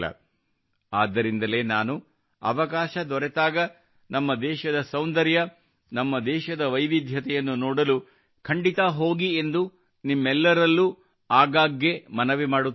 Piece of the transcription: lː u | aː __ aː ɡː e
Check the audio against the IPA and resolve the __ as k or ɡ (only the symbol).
ɡ